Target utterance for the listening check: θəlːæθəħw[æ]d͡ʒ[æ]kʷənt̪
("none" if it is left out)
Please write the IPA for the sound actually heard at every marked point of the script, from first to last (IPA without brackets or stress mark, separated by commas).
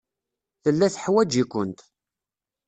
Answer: æ, i